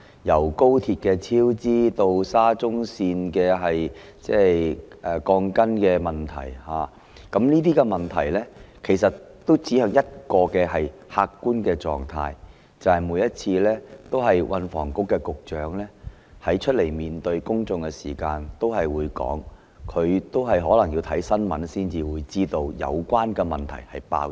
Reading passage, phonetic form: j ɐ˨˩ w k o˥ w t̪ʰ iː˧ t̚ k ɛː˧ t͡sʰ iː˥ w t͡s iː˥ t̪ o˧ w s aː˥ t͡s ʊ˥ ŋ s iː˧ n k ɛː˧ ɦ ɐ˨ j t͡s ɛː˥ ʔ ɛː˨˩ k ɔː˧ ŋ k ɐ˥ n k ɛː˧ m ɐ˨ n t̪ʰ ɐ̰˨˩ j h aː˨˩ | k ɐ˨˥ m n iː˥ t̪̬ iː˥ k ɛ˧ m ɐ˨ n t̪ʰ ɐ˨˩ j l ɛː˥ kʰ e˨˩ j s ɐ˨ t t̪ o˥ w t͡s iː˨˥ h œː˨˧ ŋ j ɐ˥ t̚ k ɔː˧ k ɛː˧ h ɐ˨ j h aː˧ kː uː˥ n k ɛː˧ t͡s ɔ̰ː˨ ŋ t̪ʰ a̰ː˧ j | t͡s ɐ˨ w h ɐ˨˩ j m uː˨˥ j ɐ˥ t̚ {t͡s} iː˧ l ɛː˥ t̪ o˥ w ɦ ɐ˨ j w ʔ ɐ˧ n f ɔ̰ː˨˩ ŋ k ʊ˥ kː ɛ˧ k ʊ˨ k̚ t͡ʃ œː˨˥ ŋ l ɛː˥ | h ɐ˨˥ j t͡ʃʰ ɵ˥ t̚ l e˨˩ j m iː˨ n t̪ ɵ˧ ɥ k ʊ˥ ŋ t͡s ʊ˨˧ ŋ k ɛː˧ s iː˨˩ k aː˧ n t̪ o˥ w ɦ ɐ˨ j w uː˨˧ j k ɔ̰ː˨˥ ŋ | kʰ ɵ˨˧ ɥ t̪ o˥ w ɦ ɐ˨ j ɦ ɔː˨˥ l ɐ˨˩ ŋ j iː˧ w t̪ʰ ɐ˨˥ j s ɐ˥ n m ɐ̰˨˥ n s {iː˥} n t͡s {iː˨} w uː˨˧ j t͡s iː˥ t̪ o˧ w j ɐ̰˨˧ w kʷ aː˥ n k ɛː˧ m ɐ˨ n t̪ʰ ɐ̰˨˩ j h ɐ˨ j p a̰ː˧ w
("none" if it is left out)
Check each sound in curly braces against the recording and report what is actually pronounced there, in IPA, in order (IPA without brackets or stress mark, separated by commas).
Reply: t͡sʰ, iː˥, iː˨